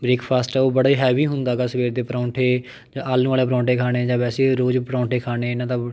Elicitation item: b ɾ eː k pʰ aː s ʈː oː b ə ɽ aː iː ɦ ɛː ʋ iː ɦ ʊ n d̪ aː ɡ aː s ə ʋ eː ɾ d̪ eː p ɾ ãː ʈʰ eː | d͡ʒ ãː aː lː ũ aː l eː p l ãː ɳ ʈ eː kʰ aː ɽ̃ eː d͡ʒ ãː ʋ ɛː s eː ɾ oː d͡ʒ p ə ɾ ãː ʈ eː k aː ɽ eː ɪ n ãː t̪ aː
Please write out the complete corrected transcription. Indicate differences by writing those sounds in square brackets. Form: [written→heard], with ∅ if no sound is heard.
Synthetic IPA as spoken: b ɾ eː k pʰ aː s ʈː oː b ə ɽ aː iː ɦ ɛː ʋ iː ɦ ʊ n d̪ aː ɡ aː s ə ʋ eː ɾ d̪ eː p ɾ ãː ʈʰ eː | d͡ʒ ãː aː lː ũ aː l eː p [l→ɾ] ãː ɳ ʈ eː kʰ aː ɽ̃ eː d͡ʒ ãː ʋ ɛː s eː ɾ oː d͡ʒ p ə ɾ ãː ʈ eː [k→kʰ] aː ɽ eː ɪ n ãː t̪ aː

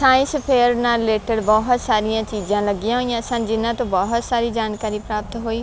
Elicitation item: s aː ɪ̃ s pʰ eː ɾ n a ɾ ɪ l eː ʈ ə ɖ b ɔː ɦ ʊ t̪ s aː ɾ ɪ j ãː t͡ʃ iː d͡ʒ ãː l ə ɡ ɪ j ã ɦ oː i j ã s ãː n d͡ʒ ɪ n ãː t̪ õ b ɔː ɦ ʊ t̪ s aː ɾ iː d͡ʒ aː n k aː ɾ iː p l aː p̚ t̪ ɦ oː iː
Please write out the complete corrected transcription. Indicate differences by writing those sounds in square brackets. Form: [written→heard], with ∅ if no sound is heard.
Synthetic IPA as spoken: s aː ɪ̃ s pʰ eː ɾ n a ɾ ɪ l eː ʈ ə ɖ b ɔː ɦ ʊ t̪ s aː ɾ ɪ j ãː t͡ʃ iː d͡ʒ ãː l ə ɡ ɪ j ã ɦ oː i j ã s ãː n d͡ʒ ɪ n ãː t̪ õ b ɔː ɦ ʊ t̪ s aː ɾ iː d͡ʒ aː n k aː ɾ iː p [l→ɾ] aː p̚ t̪ ɦ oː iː

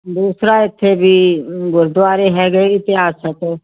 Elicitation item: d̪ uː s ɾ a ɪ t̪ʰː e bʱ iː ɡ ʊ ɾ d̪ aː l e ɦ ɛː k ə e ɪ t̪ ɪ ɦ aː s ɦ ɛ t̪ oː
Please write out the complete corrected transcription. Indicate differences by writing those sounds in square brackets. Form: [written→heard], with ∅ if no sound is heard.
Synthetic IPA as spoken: d̪ uː s ɾ a ɪ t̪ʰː e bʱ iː ɡ ʊ ɾ d̪ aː [l→ɾ] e ɦ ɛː [k→ɡ] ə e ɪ t̪ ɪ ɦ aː s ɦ ɛ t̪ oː

